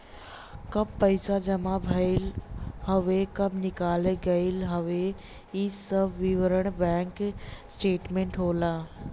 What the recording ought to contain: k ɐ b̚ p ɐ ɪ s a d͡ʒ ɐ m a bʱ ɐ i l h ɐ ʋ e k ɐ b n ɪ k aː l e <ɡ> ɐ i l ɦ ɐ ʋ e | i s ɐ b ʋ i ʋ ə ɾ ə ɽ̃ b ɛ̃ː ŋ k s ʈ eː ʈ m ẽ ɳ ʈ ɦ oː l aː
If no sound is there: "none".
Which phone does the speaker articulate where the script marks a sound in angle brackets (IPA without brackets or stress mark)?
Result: ɡ